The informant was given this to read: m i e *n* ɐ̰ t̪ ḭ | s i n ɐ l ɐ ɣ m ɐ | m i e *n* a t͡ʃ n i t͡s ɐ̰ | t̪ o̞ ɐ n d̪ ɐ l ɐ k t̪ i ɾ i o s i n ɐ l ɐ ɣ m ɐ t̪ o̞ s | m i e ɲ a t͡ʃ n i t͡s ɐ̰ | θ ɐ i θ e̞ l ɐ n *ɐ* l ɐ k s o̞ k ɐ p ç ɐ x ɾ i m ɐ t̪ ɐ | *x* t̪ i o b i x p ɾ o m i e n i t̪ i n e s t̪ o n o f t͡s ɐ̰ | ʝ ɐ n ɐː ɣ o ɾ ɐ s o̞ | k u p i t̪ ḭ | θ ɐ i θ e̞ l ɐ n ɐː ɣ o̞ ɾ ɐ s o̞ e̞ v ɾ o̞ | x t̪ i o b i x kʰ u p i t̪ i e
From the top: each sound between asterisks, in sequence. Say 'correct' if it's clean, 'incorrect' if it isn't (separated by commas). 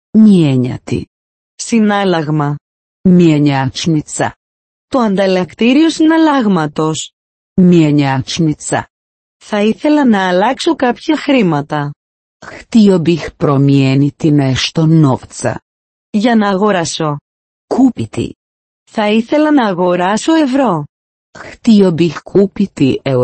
incorrect, incorrect, incorrect, correct